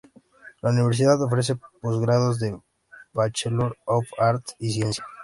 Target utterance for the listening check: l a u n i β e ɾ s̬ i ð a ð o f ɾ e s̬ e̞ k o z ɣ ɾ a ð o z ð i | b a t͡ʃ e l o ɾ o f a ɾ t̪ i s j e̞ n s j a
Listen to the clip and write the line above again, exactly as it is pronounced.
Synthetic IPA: l a u n i β e ɾ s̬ i ð a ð o f ɾ e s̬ e̞ p o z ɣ ɾ a ð o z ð e | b a t͡ʃ e l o ɾ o f a ɾ t̪ i s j e̞ n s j a